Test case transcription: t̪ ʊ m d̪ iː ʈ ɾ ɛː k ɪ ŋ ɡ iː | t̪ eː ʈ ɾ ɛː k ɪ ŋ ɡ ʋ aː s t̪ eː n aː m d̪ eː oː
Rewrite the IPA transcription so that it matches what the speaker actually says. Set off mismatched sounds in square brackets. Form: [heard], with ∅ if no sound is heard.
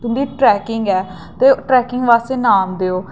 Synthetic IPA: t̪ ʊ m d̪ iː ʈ ɾ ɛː k ɪ ŋ ɡ [ɛː] | t̪ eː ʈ ɾ ɛː k ɪ ŋ ɡ ʋ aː s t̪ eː n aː m d̪ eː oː